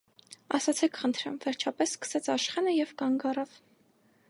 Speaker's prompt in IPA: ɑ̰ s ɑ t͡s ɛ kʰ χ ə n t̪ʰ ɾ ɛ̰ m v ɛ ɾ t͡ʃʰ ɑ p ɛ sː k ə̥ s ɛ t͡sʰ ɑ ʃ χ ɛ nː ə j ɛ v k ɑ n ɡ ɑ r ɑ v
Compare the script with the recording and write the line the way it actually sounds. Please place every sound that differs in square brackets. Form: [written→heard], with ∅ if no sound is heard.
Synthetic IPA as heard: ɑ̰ s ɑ [t͡s→t͡sʰ] ɛ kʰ χ ə n t̪ʰ ɾ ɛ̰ m v ɛ ɾ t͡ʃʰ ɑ p ɛ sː k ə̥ s ɛ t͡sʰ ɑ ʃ χ ɛ [nː→n] ə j ɛ v k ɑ [n→ŋ] ɡ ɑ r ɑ v

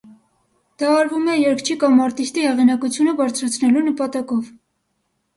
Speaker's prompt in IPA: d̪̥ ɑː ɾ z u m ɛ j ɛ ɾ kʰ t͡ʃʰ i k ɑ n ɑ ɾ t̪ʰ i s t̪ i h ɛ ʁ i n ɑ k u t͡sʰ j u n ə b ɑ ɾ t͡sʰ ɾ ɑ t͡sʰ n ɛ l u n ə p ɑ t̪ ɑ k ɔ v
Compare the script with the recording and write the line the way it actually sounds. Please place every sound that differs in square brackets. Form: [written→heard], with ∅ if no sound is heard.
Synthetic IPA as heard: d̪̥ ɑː ɾ [z→v] u m ɛ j ɛ ɾ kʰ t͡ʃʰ i k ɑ [n→m] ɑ ɾ [t̪ʰ→t̪] i s t̪ i h ɛ ʁ i n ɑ k u t͡sʰ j u n ə b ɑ ɾ t͡sʰ ɾ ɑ t͡sʰ n ɛ l u n ə p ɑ t̪ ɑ k ɔ v

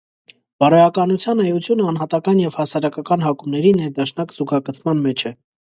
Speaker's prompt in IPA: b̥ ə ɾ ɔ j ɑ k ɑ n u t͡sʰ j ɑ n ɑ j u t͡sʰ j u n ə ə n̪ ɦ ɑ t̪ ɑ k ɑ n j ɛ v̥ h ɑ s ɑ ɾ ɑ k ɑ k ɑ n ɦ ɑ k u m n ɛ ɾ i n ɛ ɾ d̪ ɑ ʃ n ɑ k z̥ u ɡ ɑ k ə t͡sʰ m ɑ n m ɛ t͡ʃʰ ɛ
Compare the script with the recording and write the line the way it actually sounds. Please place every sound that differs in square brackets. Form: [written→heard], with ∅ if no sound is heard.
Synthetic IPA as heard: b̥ [ə→ɑ] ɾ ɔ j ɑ k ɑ n u t͡sʰ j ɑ n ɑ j u t͡sʰ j u n ə [ə→ɑ] n̪ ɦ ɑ t̪ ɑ k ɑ n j ɛ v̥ h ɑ s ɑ ɾ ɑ k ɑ k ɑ n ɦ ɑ k u m n ɛ ɾ i n ɛ ɾ d̪ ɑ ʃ n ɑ k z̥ u ɡ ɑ k ə t͡sʰ m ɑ n m ɛ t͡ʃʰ ɛ

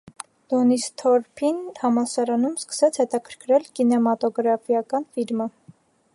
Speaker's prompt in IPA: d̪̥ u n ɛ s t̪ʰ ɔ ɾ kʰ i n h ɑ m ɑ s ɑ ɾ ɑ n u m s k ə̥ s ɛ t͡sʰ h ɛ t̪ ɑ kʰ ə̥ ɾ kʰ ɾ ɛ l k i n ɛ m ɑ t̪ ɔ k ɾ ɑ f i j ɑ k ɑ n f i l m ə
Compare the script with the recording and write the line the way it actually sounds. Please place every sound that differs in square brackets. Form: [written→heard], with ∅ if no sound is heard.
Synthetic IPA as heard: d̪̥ [u→ɔ] n [ɛ→i] s t̪ʰ ɔ ɾ [kʰ→pʰ] i n h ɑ m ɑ s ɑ ɾ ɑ n u m s k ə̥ s ɛ t͡sʰ h ɛ t̪ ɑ kʰ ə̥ ɾ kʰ ɾ ɛ l k i n ɛ m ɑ t̪ ɔ [k→ɡ] ɾ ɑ f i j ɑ k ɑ n f i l m ə

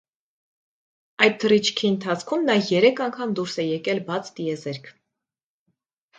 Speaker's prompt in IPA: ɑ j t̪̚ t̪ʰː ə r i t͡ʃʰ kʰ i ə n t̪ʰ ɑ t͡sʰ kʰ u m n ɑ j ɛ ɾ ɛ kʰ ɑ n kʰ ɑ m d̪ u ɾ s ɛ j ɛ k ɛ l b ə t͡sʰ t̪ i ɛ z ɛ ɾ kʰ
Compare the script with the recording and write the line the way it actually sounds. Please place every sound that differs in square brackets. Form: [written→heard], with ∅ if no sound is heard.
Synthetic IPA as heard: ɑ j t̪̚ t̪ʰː ə r i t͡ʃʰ kʰ i ə n t̪ʰ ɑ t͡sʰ kʰ u m n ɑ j ɛ ɾ ɛ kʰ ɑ [n→ŋ] kʰ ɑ m d̪ u ɾ s ɛ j ɛ k ɛ l b [ə→ɑ] t͡sʰ t̪ i ɛ z ɛ ɾ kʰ

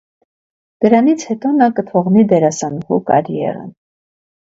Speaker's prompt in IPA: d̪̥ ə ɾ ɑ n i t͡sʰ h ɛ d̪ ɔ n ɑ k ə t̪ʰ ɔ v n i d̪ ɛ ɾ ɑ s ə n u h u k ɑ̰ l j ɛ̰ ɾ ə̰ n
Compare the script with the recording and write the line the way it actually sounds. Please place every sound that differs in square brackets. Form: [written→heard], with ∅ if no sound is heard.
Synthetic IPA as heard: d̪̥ ə ɾ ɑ n i t͡sʰ h ɛ [d̪→t̪] ɔ n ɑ k ə t̪ʰ ɔ [v→ʁ] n i d̪ ɛ ɾ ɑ s [ə→ɑ] n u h u k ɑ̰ [l→ɾ] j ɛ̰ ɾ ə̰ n

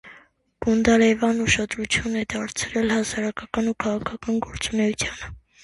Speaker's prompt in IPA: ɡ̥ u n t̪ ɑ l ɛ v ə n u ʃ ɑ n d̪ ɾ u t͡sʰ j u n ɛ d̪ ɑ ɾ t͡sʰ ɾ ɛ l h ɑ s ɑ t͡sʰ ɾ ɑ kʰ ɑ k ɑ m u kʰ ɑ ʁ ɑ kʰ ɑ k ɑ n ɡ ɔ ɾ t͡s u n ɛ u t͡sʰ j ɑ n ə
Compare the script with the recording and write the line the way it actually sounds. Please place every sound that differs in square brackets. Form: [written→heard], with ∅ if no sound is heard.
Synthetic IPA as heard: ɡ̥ u n [t̪→d̪] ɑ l ɛ v [ə→ɑ] n u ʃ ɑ [n→∅] d̪ ɾ u t͡sʰ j u n ɛ d̪ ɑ ɾ t͡sʰ ɾ ɛ l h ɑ s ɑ [t͡sʰ→∅] ɾ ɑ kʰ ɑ k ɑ [m→n] u kʰ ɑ ʁ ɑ kʰ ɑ k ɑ n ɡ ɔ ɾ t͡s u n ɛ u t͡sʰ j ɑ n ə

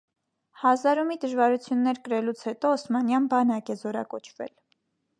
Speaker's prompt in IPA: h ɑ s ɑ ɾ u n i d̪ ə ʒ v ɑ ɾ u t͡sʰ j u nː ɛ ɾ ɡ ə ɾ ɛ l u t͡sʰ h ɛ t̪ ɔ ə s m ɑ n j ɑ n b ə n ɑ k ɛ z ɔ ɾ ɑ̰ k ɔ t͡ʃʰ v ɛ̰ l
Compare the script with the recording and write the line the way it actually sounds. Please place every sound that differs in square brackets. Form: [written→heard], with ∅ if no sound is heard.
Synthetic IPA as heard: h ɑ [s→z] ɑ ɾ u [n→m] i d̪ ə ʒ v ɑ ɾ u t͡sʰ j u nː ɛ ɾ [ɡ→k] ə ɾ ɛ l u t͡sʰ h ɛ t̪ ɔ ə s m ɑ n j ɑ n b [ə→ɑ] n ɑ k ɛ z ɔ ɾ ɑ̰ k ɔ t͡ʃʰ v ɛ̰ l

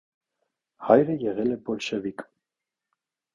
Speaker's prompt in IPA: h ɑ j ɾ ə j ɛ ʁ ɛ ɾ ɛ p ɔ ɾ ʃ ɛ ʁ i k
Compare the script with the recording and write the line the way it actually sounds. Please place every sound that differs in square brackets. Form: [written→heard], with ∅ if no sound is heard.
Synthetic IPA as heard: h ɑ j ɾ ə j ɛ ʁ ɛ [ɾ→l] ɛ [p→b] ɔ [ɾ→l] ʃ ɛ [ʁ→v] i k

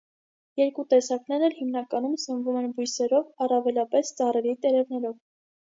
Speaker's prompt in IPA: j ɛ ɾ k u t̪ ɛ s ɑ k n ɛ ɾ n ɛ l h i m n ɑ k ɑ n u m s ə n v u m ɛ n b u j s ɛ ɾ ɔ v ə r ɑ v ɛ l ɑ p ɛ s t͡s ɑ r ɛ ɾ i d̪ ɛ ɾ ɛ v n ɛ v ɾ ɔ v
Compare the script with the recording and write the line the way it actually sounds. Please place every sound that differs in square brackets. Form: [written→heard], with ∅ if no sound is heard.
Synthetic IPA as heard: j ɛ ɾ k u t̪ ɛ s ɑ k n ɛ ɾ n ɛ l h i m n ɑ k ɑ n u m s ə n v u m ɛ n b u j s ɛ ɾ ɔ v [ə→ɑ] r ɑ v ɛ l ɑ p ɛ s t͡s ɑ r ɛ ɾ i [d̪→t̪] ɛ ɾ ɛ v n ɛ [v→∅] ɾ ɔ v

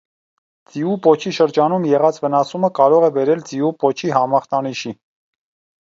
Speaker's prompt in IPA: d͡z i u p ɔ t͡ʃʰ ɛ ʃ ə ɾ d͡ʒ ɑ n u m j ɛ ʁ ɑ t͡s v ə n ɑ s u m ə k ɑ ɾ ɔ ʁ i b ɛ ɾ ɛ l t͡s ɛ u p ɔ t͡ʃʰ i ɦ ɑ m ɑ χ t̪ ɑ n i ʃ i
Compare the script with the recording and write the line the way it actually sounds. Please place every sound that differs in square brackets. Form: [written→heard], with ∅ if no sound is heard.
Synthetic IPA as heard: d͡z i u p ɔ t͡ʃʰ [ɛ→i] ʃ ə ɾ d͡ʒ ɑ n u m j ɛ ʁ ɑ t͡s v ə n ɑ s u m ə k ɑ ɾ ɔ ʁ [i→ɛ] b ɛ ɾ ɛ l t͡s [ɛ→i] u p ɔ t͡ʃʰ i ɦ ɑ m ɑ χ t̪ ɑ n i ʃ i

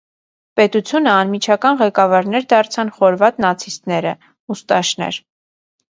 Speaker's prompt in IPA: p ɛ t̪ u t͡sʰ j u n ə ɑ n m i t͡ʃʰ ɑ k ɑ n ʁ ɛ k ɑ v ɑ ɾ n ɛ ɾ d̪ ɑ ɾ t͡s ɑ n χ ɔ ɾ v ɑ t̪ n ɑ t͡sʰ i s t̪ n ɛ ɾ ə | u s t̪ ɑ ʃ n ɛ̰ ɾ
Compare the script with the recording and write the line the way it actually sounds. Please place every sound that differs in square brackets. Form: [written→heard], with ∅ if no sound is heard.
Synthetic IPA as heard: p ɛ t̪ u t͡sʰ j u n ə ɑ n m i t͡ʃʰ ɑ k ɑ n ʁ ɛ k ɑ v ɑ ɾ n ɛ ɾ d̪ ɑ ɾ [t͡s→t͡sʰ] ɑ n χ ɔ ɾ v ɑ t̪ n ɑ t͡sʰ i s t̪ n ɛ ɾ ə | u s t̪ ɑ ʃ n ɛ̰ ɾ

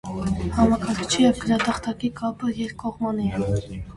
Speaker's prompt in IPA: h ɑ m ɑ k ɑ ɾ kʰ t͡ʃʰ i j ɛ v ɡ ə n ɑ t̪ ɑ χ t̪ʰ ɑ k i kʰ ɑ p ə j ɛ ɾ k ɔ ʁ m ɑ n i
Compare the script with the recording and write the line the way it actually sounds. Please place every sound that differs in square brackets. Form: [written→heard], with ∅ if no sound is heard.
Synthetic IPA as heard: h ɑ m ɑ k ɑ ɾ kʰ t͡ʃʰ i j ɛ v ɡ ə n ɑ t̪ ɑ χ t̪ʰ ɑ k i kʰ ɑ p ə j ɛ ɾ k ɔ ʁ m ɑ n i

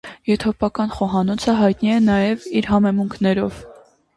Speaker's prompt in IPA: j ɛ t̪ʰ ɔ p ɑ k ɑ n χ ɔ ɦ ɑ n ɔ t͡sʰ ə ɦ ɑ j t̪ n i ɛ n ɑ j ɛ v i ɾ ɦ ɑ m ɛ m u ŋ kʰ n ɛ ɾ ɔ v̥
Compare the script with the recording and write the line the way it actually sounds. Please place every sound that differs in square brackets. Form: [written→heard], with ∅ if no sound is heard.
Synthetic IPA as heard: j ɛ t̪ʰ ɔ p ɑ k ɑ n χ ɔ ɦ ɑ n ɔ t͡sʰ ə ɦ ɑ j t̪ n i ɛ n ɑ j ɛ v i ɾ ɦ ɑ m ɛ m u ŋ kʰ n ɛ ɾ ɔ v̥

